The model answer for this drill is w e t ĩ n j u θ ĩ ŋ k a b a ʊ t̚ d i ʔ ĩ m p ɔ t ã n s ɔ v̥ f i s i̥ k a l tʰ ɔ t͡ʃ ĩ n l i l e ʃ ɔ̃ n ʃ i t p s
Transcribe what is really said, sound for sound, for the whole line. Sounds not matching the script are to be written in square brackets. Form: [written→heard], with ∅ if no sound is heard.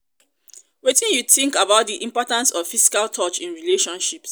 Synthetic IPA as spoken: w e t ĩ n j u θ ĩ ŋ k a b a ʊ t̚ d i ʔ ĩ m p ɔ t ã n s ɔ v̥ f i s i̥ k a l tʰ ɔ t͡ʃ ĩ n [l→ɹ] i l e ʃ ɔ̃ n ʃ i [t→∅] p s